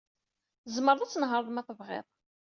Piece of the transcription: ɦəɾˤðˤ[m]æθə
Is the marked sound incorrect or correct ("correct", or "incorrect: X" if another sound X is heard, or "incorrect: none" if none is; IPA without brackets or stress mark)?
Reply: correct